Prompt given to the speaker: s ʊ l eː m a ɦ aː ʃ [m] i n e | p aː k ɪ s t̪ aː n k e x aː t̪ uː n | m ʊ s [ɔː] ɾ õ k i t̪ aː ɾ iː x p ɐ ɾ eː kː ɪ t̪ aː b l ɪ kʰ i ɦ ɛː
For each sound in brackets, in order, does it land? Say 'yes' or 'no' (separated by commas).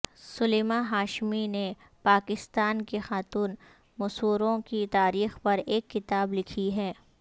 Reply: yes, no